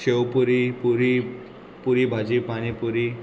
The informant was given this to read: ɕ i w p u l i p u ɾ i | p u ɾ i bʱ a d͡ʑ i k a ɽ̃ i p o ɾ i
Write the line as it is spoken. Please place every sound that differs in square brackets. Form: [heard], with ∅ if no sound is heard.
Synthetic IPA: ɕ [e] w p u [ɾ] i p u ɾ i | p u ɾ i bʱ a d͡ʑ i [p] a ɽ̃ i p [u] ɾ i